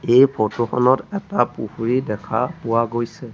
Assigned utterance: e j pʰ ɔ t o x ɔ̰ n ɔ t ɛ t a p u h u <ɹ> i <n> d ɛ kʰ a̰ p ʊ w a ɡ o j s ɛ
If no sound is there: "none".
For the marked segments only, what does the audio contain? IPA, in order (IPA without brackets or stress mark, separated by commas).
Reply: ɹ, none